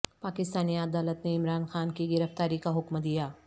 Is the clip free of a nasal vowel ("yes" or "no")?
yes